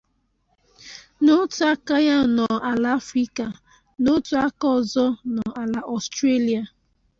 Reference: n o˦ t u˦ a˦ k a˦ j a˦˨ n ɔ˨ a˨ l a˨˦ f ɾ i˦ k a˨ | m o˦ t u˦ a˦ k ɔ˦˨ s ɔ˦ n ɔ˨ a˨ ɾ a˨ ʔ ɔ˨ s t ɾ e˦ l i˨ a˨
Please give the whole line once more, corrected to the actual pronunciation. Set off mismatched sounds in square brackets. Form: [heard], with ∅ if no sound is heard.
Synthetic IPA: n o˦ t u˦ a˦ k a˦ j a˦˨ n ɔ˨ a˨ l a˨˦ f ɾ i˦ k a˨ | [n] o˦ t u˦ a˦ k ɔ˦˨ [z] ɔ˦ n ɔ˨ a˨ [l] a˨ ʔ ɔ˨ s t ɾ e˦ l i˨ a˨